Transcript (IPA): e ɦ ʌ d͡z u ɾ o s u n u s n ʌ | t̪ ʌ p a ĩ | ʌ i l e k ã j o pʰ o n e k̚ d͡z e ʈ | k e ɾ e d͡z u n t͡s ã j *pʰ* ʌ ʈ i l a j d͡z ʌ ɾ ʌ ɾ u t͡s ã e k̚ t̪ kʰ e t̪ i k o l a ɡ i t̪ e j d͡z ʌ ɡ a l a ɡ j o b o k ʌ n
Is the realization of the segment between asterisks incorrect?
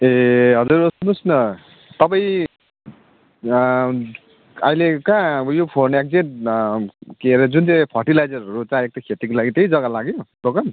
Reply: no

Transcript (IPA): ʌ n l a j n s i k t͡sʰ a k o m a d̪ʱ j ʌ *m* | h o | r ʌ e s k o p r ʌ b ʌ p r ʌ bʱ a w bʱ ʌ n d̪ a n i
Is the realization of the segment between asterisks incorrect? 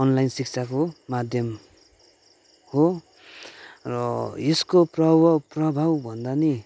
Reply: no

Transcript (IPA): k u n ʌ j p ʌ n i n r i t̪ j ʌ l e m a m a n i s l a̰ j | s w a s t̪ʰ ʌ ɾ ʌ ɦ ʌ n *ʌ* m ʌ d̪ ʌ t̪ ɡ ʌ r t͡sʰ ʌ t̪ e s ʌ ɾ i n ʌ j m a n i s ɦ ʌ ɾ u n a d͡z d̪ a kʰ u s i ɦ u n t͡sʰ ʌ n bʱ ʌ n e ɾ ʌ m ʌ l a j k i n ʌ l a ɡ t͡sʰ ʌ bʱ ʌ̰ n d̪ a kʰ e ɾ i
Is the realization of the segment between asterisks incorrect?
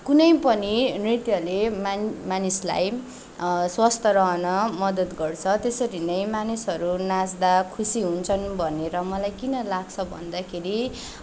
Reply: no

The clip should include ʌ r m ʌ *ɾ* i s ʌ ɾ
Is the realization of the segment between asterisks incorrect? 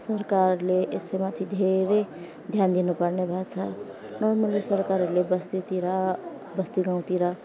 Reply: yes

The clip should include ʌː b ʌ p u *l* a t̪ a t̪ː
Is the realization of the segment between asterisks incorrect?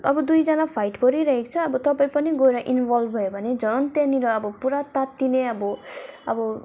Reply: yes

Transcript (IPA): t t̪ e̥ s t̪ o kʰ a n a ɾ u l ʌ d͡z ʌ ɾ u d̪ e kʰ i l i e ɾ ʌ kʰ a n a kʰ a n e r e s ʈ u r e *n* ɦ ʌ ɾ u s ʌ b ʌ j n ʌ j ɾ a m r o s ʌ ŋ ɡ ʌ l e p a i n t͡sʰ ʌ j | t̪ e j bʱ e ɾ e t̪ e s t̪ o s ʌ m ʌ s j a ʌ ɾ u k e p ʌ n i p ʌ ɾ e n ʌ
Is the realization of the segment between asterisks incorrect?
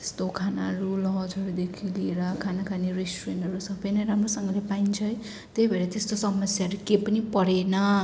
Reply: no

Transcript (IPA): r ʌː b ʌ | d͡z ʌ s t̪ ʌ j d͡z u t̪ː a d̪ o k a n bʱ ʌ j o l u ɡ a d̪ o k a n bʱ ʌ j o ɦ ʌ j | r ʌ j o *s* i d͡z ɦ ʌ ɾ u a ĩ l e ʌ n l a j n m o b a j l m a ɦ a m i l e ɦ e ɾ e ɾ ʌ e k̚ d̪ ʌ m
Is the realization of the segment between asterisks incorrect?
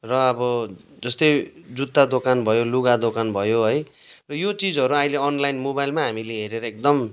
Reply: yes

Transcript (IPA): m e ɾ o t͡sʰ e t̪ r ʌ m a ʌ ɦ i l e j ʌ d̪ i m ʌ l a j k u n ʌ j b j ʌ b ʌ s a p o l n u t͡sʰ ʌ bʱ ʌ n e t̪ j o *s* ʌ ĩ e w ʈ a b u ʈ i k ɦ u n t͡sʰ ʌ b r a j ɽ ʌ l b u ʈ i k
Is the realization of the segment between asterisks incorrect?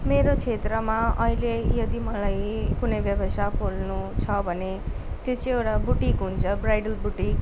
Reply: yes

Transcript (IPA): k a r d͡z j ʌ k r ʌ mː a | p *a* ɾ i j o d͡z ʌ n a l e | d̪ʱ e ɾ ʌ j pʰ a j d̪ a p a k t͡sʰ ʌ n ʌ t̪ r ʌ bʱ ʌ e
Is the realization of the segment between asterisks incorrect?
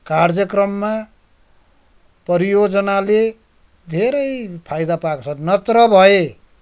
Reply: yes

